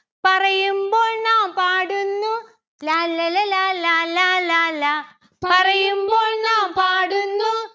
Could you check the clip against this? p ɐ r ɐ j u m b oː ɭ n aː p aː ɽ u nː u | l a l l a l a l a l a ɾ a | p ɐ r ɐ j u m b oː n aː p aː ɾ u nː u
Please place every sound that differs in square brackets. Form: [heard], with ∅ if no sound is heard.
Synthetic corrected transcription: p ɐ r ɐ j u m b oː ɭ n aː p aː ɽ u nː u | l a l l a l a l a l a [l] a | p ɐ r ɐ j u m b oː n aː p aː [ɽ] u nː u

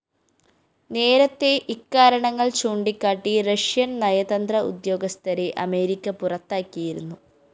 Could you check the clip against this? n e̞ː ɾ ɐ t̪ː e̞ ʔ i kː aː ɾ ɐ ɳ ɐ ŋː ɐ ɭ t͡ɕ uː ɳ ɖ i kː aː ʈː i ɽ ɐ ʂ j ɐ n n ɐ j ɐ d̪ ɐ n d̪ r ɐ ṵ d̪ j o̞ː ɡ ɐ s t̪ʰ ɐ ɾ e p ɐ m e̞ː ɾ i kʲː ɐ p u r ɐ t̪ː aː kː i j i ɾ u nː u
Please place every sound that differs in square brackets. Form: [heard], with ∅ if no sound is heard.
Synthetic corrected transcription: n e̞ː ɾ ɐ t̪ː e̞ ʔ i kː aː ɾ ɐ ɳ ɐ ŋː ɐ ɭ t͡ɕ uː ɳ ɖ i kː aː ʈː i [r] ɐ ʂ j ɐ n n ɐ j ɐ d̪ ɐ n d̪ r ɐ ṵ d̪ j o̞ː ɡ ɐ s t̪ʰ ɐ ɾ e [ʔ] ɐ m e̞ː ɾ i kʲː ɐ p u r ɐ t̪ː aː kː i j i ɾ u nː u

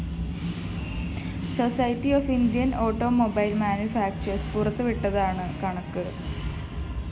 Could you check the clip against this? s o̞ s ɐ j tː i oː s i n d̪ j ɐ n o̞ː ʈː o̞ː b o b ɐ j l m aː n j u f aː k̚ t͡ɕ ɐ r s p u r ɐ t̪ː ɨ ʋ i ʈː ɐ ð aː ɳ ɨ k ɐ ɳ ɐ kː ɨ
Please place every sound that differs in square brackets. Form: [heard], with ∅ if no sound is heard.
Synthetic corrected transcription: s o̞ s ɐ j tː i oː [f] i n d̪ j ɐ n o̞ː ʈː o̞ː [m] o b ɐ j l m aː n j u f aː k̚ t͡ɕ ɐ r s p u r ɐ t̪ː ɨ ʋ i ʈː ɐ ð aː ɳ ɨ k ɐ ɳ ɐ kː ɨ

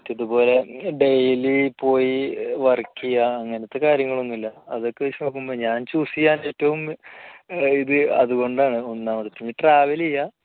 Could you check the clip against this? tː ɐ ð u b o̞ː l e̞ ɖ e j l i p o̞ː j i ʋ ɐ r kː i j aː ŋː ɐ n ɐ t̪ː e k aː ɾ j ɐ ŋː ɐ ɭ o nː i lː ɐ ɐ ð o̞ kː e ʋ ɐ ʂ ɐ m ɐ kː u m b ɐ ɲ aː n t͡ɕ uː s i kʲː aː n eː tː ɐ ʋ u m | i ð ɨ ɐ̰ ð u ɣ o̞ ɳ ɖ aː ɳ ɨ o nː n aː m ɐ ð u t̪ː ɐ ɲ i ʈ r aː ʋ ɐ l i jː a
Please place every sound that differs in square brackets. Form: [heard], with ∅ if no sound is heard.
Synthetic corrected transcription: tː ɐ ð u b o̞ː l e̞ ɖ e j l i p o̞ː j i ʋ ɐ r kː i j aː ŋː ɐ n ɐ t̪ː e k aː ɾ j ɐ ŋː ɐ ɭ o nː i lː ɐ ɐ ð o̞ kː e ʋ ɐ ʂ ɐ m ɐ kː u m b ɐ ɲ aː n t͡ɕ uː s i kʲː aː n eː tː ɐ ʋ u m | i ð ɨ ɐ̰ ð u ɣ o̞ ɳ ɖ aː ɳ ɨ o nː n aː m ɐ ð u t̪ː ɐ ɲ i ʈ r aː ʋ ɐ l i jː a

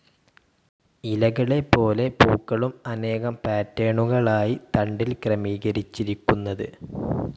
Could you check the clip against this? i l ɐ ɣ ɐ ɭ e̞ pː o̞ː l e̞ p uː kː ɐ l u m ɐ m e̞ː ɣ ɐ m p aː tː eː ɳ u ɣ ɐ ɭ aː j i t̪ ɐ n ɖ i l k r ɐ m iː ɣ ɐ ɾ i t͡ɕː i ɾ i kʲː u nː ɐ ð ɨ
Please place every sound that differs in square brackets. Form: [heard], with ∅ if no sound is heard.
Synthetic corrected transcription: i l ɐ ɣ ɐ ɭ e̞ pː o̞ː l e̞ p uː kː ɐ [ɭ] u m ɐ [n] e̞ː ɣ ɐ m p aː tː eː ɳ u ɣ ɐ ɭ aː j i t̪ ɐ [ɳ] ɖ i l k r ɐ m iː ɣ ɐ ɾ i t͡ɕː i ɾ i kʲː u nː ɐ ð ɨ

